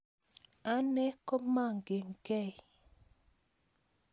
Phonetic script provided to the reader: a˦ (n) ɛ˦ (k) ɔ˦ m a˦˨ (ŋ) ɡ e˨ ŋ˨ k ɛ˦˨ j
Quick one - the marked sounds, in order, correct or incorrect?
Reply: correct, correct, correct

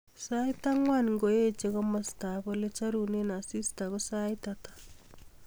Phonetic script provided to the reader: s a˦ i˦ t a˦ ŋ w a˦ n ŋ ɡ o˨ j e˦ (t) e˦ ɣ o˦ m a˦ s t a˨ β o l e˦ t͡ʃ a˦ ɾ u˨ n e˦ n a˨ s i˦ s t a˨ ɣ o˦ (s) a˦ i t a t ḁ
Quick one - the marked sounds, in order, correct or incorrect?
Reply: incorrect, correct

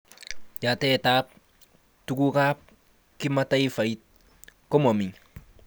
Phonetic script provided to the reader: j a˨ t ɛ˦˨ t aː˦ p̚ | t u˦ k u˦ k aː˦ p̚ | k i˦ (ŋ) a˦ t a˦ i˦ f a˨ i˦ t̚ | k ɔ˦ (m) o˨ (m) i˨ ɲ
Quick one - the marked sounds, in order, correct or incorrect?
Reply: incorrect, correct, correct

